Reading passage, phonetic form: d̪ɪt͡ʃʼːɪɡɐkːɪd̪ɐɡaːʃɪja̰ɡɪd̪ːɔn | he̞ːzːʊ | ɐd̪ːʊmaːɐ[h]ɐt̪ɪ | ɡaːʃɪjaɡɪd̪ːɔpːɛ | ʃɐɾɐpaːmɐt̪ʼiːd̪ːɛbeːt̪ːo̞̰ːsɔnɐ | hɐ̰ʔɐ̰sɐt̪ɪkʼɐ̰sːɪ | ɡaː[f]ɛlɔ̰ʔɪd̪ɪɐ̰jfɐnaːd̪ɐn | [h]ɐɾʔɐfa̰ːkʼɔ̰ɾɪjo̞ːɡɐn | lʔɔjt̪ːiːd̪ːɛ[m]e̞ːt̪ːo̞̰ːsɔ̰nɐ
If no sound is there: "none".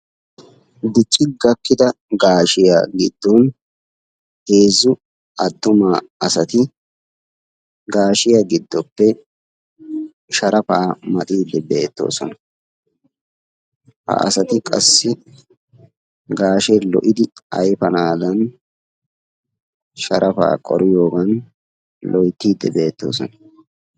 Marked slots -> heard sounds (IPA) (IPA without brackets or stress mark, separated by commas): s, ʃ, ʃ, b